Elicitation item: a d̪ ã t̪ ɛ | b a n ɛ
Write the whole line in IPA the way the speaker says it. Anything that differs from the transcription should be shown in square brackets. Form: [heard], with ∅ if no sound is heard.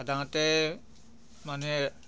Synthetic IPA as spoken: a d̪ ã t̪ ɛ | [m] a n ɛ